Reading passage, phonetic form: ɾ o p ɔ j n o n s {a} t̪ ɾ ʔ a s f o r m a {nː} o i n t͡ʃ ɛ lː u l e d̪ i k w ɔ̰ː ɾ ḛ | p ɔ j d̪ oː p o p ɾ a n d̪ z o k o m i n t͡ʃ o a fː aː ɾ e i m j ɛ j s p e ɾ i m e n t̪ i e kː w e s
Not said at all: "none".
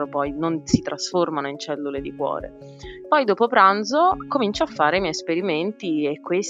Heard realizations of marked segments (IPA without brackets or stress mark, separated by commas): i, n